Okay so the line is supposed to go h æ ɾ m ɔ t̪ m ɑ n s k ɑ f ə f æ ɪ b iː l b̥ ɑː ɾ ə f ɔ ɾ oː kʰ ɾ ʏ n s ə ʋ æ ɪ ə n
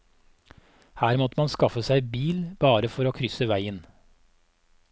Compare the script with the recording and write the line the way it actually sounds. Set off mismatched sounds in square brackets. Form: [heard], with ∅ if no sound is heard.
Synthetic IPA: h [æː] ɾ m ɔ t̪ m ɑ n s k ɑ f ə [s] æ ɪ b iː l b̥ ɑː ɾ ə f ɔ ɾ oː kʰ ɾ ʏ [∅] s ə ʋ æ ɪ ə n